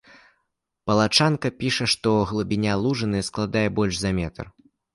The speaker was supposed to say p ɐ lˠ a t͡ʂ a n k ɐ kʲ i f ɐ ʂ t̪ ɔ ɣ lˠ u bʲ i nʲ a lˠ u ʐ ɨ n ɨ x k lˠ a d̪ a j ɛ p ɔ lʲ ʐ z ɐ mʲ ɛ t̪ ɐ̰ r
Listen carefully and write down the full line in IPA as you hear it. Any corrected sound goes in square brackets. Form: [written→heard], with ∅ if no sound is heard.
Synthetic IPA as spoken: p ɐ lˠ a t͡ʂ a n k ɐ [kʲ→pʲ] i [f→ʂ] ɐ ʂ t̪ ɔ ɣ lˠ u bʲ i nʲ a lˠ u ʐ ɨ n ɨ [x→s] k lˠ a d̪ a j ɛ [p→b] ɔ lʲ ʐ z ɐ mʲ ɛ t̪ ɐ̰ r